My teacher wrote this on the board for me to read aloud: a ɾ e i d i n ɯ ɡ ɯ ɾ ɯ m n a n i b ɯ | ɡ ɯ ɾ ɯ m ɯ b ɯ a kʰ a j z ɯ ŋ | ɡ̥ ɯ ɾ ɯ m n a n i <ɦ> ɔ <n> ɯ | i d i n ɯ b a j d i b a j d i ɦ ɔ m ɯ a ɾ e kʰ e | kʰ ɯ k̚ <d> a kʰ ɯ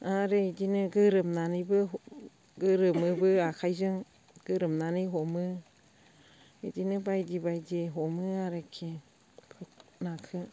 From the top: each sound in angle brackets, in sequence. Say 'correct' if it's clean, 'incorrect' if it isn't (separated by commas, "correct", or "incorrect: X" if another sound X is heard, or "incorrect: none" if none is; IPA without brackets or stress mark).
correct, incorrect: m, incorrect: n